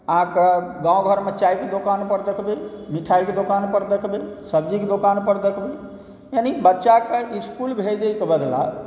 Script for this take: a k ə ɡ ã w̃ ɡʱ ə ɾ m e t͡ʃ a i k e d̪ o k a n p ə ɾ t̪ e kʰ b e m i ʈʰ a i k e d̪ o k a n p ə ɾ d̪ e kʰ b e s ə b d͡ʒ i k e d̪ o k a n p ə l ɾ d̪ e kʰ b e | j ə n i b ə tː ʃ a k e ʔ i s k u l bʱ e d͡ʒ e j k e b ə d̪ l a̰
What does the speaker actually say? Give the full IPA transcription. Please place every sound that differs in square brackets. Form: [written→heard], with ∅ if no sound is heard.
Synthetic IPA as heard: a k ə ɡ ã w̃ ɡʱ ə ɾ m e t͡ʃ a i k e d̪ o k a n p ə ɾ [t̪→d̪] e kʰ b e m i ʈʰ a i k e d̪ o k a n p ə ɾ d̪ e kʰ b e s ə b d͡ʒ i k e d̪ o k a n p ə [l→∅] ɾ d̪ e kʰ b e | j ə n i b ə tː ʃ a k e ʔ i s k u l bʱ e d͡ʒ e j k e b ə d̪ l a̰